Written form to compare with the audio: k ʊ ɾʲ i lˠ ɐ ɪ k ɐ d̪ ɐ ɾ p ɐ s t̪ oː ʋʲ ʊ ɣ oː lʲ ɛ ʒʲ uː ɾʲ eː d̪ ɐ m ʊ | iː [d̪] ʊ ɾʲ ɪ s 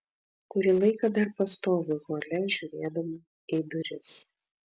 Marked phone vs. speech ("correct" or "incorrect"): correct